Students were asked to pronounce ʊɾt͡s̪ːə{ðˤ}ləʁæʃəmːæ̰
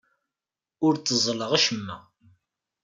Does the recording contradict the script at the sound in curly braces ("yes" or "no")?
yes